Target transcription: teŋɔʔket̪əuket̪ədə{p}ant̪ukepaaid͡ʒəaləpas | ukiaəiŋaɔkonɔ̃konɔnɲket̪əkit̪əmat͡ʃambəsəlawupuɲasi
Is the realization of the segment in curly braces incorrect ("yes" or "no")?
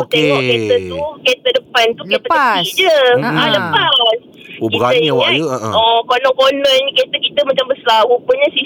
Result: no